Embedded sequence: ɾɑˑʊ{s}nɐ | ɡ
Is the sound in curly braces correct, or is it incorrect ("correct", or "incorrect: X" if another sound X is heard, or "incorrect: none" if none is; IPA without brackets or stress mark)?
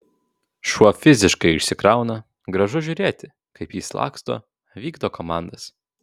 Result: incorrect: none